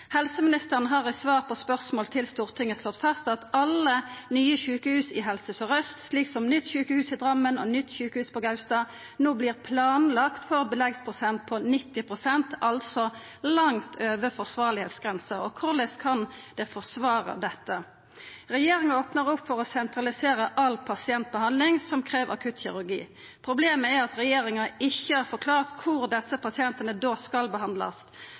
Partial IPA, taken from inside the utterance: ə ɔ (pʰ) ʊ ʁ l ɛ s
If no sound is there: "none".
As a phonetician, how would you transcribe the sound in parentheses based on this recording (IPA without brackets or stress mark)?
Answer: kʰ